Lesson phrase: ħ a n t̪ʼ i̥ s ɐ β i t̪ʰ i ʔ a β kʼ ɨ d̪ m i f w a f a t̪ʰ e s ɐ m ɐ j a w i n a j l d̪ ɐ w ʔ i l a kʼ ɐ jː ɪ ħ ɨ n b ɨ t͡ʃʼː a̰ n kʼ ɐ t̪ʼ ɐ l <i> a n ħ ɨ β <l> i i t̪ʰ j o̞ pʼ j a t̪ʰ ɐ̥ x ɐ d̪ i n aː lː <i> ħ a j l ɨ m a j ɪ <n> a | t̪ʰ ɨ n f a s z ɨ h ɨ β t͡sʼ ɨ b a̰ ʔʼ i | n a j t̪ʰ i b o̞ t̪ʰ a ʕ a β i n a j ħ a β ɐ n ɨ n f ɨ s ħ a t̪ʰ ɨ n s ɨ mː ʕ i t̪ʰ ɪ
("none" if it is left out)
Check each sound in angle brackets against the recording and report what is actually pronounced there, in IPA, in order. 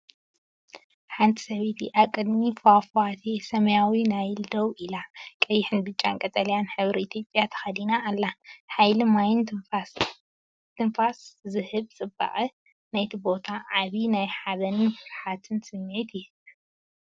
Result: j, ɾ, a, n

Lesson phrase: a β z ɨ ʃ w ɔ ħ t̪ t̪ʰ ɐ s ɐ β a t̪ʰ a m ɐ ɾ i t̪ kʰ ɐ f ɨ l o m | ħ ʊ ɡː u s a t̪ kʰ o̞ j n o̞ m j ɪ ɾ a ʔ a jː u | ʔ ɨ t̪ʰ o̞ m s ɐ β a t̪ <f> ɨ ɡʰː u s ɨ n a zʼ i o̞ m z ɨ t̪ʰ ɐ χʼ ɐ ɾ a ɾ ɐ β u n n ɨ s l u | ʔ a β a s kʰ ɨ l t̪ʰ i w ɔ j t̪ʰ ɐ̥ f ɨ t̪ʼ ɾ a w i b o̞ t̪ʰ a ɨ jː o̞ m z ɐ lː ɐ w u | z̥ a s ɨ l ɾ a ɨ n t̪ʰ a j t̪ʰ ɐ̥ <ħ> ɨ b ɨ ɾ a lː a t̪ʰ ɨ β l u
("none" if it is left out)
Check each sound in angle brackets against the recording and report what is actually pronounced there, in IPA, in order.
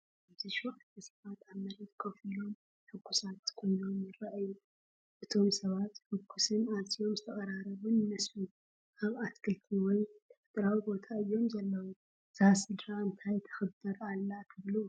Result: ħ, x

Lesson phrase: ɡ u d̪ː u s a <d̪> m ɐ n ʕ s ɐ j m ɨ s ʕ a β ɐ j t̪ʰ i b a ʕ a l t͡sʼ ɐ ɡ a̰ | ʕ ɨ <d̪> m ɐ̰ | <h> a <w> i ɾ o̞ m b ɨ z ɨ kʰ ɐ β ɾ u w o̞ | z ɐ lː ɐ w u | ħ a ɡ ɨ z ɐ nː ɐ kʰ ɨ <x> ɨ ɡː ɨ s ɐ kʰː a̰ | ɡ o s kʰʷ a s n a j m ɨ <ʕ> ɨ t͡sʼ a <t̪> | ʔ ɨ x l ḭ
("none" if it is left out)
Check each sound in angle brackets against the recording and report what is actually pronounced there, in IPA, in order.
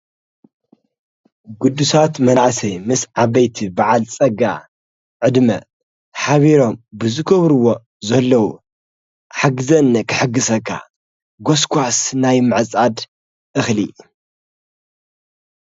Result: t̪, d̪, ħ, β, ħ, ʕ, d̪

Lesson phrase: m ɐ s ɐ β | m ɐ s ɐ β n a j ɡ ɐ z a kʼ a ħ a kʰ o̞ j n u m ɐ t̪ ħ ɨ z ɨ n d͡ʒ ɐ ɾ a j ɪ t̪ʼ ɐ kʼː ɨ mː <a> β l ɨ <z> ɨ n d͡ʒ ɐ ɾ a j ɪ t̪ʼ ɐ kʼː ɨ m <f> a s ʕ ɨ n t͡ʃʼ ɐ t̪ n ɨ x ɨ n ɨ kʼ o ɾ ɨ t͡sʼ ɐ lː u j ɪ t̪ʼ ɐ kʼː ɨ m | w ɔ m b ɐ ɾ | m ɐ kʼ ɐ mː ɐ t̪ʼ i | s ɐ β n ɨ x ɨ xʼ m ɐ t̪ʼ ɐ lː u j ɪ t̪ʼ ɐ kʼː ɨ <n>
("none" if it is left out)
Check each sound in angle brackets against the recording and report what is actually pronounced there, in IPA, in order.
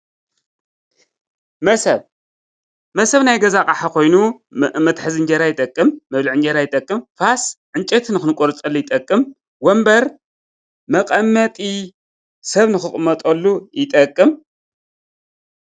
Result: ɐ, ʕ, f, m

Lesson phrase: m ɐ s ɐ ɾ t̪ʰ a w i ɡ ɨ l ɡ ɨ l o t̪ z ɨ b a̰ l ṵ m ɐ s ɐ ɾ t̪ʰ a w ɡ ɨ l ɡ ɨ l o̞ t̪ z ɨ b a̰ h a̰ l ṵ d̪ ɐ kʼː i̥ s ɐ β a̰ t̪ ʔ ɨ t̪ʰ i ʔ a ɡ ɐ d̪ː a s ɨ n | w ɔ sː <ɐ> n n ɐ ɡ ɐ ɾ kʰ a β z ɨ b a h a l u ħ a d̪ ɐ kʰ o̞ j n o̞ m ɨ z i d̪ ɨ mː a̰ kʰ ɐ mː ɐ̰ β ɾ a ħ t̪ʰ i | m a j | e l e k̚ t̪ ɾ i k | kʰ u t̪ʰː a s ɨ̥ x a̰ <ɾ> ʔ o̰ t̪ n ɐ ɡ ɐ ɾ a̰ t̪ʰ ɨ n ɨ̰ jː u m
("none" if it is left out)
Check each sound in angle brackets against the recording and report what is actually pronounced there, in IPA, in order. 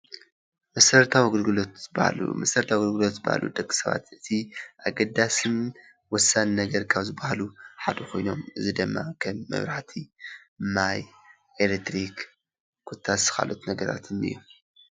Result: a, l

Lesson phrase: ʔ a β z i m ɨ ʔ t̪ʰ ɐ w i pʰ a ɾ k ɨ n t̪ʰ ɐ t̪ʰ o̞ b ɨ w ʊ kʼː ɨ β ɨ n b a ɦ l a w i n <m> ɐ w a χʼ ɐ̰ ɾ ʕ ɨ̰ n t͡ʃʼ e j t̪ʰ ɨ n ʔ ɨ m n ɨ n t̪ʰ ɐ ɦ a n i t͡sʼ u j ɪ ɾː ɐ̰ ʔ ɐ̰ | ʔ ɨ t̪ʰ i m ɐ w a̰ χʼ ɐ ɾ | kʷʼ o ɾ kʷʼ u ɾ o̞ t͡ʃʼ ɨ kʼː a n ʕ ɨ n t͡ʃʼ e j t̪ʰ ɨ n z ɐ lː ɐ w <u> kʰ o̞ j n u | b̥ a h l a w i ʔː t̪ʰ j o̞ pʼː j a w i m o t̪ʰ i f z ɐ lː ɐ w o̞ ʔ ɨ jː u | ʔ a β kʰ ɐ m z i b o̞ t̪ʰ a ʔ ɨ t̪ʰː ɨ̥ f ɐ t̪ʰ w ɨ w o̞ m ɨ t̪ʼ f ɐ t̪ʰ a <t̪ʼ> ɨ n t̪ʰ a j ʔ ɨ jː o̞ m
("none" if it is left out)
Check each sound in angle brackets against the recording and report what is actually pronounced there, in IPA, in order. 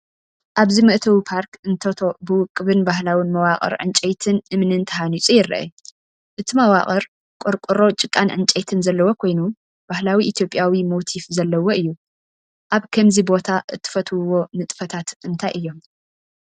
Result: m, o, t̪

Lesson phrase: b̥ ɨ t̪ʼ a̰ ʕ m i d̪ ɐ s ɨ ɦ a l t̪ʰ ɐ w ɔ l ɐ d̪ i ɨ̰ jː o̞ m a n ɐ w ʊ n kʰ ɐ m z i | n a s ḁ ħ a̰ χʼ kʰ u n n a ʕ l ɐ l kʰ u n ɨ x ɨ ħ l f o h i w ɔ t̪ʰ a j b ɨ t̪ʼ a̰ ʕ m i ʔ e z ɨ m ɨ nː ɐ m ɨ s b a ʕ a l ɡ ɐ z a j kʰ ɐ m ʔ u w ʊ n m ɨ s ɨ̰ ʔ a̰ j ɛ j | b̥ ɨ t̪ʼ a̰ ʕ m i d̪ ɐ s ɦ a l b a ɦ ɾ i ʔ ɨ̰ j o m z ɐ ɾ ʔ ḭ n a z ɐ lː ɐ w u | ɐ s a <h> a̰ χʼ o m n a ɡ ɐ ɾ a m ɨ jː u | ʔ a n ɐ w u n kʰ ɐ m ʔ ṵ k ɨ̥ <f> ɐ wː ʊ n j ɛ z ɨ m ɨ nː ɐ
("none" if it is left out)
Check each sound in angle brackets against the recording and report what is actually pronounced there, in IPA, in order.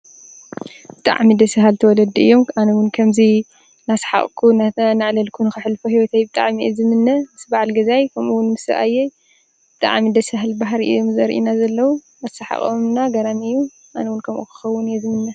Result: ħ, x

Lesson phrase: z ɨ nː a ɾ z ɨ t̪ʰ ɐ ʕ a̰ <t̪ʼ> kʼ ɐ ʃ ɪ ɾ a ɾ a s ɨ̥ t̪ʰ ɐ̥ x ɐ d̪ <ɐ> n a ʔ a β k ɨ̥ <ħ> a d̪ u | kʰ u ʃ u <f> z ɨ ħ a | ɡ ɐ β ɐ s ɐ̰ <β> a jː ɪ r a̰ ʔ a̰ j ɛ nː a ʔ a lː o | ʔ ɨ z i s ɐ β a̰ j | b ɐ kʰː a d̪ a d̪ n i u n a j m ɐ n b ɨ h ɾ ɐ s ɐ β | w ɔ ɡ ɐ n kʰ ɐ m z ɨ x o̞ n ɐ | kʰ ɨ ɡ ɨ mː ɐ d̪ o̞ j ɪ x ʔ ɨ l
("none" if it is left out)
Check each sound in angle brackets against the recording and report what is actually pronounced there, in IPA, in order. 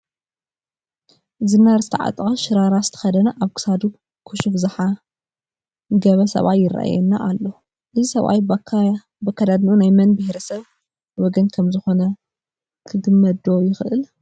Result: t̪ʼ, ɐ, s, f, β

